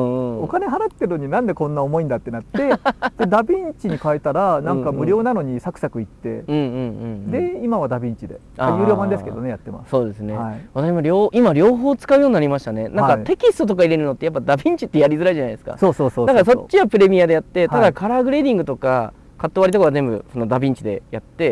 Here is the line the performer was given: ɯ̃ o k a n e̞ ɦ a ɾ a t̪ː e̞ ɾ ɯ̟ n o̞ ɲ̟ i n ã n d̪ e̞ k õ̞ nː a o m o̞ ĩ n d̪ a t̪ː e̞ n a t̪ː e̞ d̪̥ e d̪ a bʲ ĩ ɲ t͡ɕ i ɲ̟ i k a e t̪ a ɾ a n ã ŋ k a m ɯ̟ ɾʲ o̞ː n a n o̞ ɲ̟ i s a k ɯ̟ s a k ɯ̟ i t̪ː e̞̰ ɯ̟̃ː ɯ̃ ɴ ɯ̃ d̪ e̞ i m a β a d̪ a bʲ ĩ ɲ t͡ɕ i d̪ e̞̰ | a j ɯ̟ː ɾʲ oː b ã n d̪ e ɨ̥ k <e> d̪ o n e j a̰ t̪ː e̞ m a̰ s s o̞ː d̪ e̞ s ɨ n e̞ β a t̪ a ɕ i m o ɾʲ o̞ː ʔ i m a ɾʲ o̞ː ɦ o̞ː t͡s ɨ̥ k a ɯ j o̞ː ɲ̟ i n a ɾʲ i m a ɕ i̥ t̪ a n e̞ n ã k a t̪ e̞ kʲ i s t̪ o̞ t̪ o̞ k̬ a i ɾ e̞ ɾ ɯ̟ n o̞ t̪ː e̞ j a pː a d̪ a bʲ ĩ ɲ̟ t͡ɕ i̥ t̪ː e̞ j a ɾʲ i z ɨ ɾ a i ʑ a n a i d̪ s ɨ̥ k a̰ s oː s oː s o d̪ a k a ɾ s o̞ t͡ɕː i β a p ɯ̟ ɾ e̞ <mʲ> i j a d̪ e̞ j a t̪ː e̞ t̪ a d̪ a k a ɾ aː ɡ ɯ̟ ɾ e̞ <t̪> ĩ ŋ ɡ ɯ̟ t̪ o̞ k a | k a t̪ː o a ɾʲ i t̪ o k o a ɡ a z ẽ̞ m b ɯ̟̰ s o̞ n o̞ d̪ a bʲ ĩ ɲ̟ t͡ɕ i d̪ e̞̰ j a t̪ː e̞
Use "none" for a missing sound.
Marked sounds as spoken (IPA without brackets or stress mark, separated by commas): e, mʲ, d̪